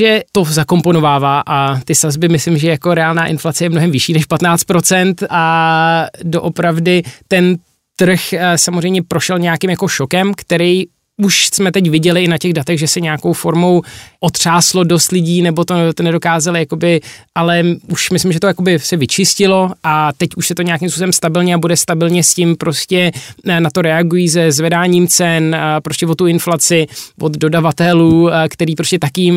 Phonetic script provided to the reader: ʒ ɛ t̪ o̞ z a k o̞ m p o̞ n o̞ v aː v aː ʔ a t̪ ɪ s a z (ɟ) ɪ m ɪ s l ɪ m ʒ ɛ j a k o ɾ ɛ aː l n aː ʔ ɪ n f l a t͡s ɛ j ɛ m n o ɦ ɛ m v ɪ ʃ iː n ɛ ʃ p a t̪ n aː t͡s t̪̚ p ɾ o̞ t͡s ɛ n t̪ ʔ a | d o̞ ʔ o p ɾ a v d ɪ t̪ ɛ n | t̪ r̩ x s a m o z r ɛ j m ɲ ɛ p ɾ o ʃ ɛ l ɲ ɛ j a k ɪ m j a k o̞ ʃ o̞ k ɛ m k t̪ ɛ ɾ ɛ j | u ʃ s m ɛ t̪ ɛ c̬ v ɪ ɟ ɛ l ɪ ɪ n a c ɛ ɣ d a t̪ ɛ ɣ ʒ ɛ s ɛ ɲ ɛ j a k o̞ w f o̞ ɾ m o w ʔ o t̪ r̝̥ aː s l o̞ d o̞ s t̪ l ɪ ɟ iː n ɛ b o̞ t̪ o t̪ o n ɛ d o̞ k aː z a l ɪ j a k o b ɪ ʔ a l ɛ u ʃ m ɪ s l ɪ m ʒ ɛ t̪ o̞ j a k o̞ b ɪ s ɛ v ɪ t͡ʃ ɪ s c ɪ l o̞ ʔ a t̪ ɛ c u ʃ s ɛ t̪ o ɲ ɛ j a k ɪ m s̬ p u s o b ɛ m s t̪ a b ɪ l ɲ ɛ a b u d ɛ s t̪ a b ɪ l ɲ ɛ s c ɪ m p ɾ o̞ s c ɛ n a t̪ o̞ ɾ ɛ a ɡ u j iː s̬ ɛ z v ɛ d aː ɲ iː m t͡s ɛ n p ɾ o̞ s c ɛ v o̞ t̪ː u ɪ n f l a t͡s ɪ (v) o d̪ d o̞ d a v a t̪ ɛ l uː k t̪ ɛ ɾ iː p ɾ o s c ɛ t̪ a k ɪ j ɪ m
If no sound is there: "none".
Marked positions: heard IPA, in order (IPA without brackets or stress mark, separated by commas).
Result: b, v